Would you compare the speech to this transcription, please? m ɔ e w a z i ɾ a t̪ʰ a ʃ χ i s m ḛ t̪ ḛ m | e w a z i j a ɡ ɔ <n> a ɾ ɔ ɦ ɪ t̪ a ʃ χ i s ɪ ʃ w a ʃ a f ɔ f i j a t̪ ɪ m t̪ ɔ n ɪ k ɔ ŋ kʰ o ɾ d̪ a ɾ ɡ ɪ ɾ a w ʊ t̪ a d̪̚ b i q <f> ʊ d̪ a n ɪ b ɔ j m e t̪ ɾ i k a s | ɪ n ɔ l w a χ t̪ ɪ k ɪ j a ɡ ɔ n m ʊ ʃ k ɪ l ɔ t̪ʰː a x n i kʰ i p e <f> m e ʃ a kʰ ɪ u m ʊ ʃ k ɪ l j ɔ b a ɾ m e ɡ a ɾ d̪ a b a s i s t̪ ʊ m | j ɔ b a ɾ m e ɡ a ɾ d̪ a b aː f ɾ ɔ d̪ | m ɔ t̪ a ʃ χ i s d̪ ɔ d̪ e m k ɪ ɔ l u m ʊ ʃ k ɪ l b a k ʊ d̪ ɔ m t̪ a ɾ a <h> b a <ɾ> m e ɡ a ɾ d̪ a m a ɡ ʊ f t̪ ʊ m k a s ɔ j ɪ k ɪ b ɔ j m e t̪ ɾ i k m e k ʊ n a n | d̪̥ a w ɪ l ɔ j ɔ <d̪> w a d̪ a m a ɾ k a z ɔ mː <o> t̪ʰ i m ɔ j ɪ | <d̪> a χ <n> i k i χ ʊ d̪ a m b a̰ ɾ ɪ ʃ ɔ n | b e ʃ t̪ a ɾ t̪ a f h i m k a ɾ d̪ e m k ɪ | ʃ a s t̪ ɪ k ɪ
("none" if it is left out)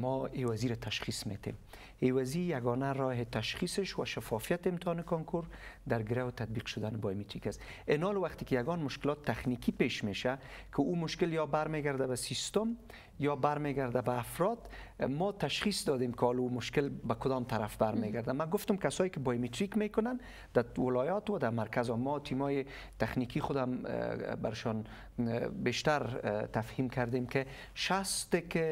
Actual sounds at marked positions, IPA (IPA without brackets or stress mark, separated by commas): n, ʃ, ʃ, f, ɾ, t̪, ɔ, t̪, n